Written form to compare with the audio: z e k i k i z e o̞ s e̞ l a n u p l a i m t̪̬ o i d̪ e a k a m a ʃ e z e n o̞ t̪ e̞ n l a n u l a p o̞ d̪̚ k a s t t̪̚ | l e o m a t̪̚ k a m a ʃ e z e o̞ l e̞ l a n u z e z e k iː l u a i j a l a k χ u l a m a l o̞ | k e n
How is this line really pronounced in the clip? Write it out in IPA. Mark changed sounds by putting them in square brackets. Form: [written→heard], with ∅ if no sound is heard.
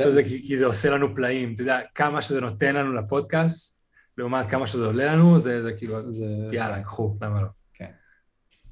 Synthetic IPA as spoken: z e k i k i z e o̞ s e̞ l a n u p l a i m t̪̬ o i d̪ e a k a m a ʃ e z e n o̞ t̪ e̞ n l a n u l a p o̞ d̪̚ k a s t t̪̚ | l e [o→u] m a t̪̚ k a m a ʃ e z e o̞ l e̞ l a n u z e z e k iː l u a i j a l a k χ u l a m a l o̞ | k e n